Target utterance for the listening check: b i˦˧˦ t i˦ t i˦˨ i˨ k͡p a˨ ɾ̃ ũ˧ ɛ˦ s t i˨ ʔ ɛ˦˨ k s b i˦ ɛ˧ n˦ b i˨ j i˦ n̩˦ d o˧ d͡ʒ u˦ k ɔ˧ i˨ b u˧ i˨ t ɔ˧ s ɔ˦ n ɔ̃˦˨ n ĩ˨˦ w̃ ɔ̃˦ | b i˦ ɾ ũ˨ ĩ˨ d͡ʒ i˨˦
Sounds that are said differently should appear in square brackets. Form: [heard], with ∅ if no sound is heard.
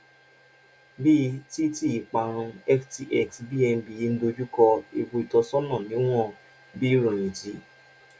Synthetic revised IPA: b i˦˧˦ t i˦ t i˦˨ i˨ k͡p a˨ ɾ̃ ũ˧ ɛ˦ [f] t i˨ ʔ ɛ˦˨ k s b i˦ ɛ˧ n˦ b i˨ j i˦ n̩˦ d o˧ d͡ʒ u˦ k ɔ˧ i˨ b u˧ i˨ t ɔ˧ s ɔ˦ n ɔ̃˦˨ n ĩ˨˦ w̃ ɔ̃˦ | b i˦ ɾ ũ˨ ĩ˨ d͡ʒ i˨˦

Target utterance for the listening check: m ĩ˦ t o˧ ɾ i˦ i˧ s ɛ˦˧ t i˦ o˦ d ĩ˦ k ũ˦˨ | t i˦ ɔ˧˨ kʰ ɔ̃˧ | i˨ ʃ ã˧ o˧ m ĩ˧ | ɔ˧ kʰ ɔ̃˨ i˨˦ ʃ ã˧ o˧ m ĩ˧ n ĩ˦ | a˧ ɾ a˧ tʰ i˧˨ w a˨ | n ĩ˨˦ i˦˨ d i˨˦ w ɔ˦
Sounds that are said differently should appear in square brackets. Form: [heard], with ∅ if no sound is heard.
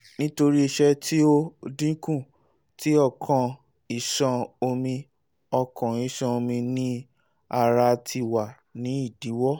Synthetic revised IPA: [n] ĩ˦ t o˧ ɾ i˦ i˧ [ʃ] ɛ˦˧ t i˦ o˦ d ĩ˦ k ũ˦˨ | t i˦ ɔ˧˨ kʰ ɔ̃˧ | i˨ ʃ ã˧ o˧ m ĩ˧ | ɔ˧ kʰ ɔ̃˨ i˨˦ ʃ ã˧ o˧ m ĩ˧ n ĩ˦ | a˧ ɾ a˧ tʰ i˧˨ w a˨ | n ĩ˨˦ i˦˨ d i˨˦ w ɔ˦

